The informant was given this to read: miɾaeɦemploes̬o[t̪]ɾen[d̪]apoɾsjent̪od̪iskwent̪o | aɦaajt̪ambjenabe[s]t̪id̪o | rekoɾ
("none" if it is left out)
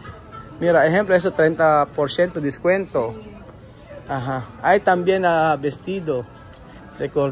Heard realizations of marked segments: t̪, t̪, s

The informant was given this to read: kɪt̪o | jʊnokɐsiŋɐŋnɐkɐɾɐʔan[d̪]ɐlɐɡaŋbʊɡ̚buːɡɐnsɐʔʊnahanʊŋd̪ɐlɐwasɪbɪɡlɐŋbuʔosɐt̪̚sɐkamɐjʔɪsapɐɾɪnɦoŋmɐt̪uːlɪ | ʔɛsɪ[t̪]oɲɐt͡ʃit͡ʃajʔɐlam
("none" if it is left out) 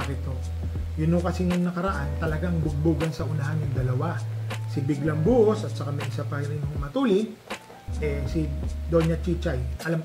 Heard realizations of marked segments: t̪, d̪

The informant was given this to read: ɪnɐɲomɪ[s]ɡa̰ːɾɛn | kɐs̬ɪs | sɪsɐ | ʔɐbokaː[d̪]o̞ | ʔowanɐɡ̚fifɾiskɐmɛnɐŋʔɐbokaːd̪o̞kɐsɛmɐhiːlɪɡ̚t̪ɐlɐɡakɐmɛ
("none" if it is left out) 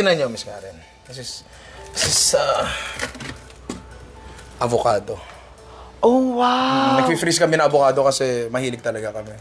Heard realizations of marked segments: s, d̪

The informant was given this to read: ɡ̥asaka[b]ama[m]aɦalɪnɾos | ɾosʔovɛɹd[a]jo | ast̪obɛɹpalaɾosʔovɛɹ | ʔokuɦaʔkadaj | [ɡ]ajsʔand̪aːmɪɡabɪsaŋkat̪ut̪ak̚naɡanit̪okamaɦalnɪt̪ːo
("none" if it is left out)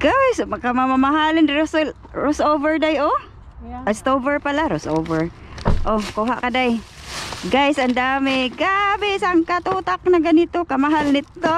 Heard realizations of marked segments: m, m, a, ɡ

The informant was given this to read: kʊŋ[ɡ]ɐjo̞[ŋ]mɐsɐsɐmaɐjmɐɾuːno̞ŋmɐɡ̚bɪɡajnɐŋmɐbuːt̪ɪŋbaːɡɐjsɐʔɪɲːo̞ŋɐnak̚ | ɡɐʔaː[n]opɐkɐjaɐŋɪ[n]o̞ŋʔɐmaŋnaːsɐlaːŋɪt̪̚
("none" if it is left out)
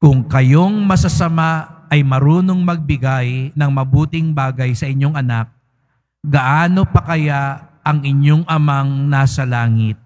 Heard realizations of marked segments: k, ŋ, n, ɲ

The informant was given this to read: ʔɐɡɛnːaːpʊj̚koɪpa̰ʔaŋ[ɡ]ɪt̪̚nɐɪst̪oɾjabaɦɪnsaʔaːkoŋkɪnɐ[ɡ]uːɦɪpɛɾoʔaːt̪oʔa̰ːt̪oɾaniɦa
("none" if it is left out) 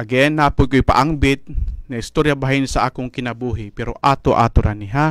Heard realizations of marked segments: b, b

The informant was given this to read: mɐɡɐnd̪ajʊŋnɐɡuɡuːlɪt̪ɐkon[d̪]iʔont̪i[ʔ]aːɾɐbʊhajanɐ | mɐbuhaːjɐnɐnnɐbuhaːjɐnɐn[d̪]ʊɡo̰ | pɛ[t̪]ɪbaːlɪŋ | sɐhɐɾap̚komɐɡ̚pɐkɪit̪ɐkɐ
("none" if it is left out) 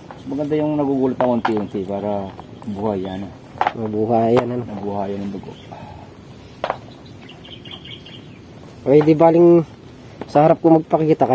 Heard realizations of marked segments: t̪, p, d̪, d̪

